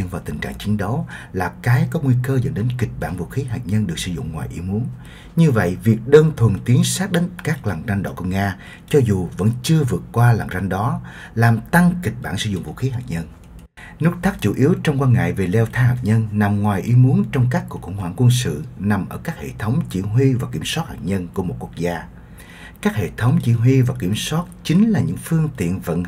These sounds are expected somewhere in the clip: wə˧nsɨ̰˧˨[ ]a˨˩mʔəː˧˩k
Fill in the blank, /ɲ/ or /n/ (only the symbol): n